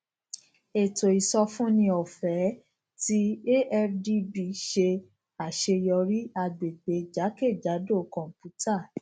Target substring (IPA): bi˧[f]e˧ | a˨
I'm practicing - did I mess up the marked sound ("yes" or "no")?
yes